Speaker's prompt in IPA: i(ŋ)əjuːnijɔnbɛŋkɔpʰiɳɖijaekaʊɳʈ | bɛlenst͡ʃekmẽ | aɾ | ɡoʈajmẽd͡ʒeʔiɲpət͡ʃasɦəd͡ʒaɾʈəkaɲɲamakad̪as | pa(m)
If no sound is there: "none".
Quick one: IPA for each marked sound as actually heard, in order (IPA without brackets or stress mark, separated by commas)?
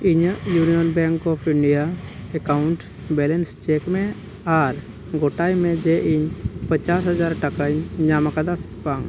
ɲ, ŋ